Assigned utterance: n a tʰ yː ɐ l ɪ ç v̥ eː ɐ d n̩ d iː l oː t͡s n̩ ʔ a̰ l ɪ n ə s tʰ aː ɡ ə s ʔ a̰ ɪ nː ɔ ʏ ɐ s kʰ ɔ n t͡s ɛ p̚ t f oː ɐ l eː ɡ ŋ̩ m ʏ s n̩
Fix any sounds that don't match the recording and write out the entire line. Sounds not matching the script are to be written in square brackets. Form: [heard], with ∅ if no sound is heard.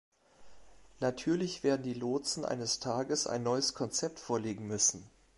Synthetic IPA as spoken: n a tʰ yː ɐ l ɪ ç v̥ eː ɐ d n̩ d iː l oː t͡s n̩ ʔ a̰ [∅] ɪ n ə s tʰ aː ɡ ə s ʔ a̰ ɪ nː ɔ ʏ [ə] s kʰ ɔ n t͡s ɛ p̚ t f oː ɐ l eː ɡ ŋ̩ m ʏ s n̩